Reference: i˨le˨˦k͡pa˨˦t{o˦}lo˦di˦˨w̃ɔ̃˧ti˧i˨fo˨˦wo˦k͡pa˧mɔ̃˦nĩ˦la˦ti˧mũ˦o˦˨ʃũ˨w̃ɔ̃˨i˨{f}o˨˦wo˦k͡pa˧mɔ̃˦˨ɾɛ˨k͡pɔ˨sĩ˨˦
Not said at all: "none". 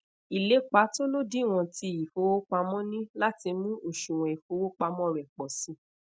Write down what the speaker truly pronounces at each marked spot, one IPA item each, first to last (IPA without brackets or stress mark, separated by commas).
o˦, f